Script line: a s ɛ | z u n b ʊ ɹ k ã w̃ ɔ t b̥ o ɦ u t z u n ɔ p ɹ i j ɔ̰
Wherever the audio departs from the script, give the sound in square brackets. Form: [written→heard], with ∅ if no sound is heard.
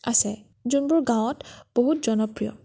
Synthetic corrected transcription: a s ɛ | z u n b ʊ ɹ [k→ɡ] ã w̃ ɔ t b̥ o ɦ u t z [u→ɔ] n ɔ p ɹ i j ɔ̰